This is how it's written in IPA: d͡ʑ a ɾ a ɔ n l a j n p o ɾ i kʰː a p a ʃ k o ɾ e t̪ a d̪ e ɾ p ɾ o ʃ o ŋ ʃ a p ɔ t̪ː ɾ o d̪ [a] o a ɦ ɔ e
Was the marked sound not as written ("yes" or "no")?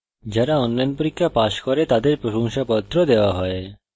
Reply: yes